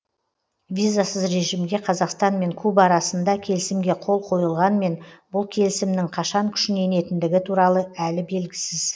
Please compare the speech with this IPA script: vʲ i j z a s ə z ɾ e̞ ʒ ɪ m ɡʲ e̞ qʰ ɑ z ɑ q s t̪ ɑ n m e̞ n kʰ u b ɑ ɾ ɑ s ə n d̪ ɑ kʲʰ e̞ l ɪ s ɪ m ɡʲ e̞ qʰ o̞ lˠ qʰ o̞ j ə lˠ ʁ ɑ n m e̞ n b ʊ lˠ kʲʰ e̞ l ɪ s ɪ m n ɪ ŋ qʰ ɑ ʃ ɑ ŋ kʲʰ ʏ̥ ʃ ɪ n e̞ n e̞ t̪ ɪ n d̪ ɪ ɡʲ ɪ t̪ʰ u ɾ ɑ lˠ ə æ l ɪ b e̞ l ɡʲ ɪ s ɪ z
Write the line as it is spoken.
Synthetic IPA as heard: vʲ i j z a s ə z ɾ e̞ ʒ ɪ m ɡʲ e̞ qʰ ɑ z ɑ q s t̪ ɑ n m e̞ ŋ kʰ u b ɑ ɾ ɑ s ə n d̪ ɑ kʲʰ e̞ l ɪ s ɪ m ɡʲ e̞ qʰ o̞ lˠ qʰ o̞ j ə lˠ ʁ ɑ n m e̞ n b ʊ lˠ kʲʰ e̞ l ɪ s ɪ m n ɪ ŋ qʰ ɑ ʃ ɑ ŋ kʲʰ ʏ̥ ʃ ɪ n e̞ n e̞ t̪ ɪ n d̪ ɪ ɡʲ ɪ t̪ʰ u ɾ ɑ lˠ ə æ l ɪ b e̞ l ɡʲ ɪ s ɪ z